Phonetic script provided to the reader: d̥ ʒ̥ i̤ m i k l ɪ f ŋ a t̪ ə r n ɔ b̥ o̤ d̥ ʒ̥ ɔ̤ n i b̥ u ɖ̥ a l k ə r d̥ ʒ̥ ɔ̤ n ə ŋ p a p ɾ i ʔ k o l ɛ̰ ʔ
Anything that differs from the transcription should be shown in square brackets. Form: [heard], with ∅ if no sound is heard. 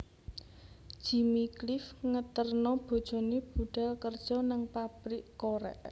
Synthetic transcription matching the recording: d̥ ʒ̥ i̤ m i k l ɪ f ŋ [ə] t̪ ə r n ɔ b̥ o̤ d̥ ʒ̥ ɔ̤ n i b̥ u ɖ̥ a l k ə r d̥ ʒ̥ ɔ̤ n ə ŋ p a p ɾ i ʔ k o [ɾ] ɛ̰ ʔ